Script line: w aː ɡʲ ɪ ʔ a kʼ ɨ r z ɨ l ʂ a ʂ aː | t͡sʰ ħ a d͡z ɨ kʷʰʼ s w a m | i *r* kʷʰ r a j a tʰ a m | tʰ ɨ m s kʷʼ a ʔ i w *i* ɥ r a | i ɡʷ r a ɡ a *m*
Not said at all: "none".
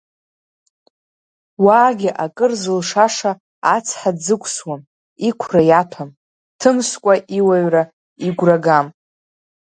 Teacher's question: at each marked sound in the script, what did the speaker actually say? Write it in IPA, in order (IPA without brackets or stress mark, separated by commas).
none, a, m